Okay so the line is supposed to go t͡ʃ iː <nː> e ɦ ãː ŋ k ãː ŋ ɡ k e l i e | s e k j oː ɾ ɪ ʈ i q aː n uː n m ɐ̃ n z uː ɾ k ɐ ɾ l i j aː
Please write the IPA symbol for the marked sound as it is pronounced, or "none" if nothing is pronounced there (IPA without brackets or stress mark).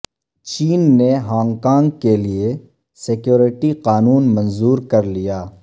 nː